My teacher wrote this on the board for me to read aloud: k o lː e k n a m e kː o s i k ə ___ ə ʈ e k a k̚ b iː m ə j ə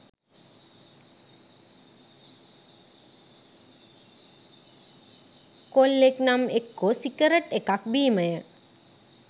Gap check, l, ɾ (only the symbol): ɾ